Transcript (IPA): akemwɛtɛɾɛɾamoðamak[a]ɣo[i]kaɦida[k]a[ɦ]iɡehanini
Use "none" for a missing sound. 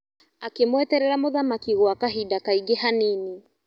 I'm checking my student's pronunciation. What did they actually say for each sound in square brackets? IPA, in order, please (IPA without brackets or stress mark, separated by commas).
i, a, k, none